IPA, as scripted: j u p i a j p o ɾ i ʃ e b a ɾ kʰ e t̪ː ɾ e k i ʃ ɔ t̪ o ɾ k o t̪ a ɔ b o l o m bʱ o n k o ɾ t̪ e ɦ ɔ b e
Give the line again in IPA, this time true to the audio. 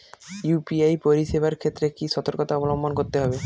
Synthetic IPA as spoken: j u p i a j p o ɾ i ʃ e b a ɾ kʰ e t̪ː ɾ e k i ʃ ɔ t̪ o ɾ k o t̪ a ɔ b o l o m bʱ o n k o ɾ t̪ e ɦ ɔ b e